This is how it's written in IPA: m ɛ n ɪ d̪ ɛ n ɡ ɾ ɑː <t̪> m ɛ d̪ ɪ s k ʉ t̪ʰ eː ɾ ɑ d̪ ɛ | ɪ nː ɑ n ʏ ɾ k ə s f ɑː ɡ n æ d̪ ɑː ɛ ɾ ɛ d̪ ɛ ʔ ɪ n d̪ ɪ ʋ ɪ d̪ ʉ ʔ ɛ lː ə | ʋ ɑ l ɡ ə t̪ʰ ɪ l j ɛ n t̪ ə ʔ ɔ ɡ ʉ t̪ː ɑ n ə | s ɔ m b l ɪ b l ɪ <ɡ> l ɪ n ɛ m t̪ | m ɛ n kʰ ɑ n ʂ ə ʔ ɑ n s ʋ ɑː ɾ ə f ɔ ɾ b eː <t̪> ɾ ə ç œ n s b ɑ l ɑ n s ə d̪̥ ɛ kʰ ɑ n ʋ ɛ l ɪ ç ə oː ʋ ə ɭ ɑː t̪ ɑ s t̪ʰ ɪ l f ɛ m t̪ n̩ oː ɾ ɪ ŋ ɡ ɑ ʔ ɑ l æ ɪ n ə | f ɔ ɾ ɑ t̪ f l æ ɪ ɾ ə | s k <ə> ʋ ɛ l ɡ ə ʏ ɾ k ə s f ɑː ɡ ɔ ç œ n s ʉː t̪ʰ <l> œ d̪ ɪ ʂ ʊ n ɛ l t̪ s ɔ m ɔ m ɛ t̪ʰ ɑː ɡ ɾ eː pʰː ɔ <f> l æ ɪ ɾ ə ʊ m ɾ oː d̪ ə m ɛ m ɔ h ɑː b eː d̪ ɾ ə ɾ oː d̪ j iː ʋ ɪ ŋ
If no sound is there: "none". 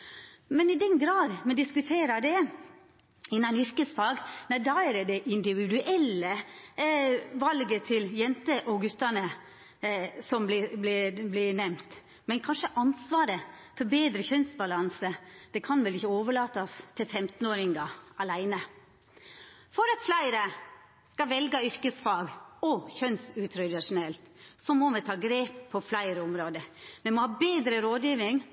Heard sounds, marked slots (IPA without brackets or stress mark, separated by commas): d̪, b, d̪, ɑ, ɾ, f